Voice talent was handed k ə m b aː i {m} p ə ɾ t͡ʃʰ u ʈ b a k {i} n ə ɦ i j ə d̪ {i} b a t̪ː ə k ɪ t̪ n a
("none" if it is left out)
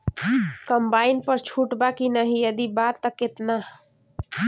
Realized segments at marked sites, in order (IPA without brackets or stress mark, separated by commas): n, i, i